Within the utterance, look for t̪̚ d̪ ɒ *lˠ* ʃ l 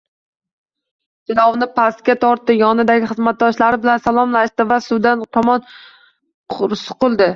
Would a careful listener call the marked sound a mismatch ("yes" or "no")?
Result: yes